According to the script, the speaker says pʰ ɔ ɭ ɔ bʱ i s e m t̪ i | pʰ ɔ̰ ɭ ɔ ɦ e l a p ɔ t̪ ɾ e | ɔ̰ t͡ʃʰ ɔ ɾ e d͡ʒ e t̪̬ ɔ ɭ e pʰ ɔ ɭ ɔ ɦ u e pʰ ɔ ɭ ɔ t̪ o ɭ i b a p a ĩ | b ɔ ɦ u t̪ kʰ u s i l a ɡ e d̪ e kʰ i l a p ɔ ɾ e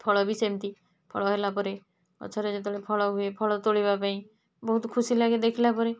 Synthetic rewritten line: pʰ ɔ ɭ ɔ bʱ i s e m t̪ i | pʰ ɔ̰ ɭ ɔ ɦ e l a p ɔ ɾ e | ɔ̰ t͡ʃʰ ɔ ɾ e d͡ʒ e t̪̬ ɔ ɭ e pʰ ɔ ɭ ɔ ɦ u e pʰ ɔ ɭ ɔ t̪ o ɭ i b a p a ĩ | b ɔ ɦ u t̪ kʰ u s i l a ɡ e d̪ e kʰ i l a p ɔ ɾ e